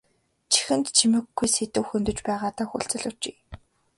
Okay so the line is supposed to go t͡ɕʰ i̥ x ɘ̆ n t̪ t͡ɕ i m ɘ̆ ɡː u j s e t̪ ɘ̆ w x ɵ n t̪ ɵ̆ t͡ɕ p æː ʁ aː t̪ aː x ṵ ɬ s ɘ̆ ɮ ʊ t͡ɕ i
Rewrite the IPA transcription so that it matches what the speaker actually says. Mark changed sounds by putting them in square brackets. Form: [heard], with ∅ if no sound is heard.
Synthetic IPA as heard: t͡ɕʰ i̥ x ɘ̆ n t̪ [t͡ɕʰ] i m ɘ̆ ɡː u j s e t̪ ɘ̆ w x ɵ n t̪ ɵ̆ t͡ɕ p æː ʁ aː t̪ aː x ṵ ɬ [t͡s] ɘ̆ ɮ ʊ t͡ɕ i